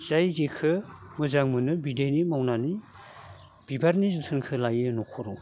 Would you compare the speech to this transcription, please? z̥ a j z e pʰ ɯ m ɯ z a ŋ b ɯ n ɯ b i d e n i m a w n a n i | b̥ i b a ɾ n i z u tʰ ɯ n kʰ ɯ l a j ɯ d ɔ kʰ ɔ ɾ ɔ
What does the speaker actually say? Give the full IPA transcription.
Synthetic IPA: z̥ a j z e kʰ ɯ m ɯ z a ŋ m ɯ n ɯ b i d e n i m a w n a n i | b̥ i b a ɾ n i z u tʰ ɯ n kʰ ɯ l a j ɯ n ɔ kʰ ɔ ɾ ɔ